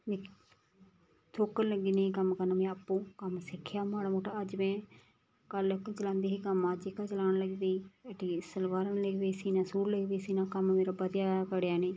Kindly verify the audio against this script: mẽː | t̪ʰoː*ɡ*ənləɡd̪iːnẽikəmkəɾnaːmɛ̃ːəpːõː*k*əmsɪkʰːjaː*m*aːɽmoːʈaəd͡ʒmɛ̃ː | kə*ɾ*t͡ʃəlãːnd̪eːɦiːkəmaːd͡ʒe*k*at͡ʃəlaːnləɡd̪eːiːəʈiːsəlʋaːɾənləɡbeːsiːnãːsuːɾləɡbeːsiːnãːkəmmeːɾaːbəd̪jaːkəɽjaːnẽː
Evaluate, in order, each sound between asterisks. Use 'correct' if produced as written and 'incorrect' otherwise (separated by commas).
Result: incorrect, correct, correct, incorrect, correct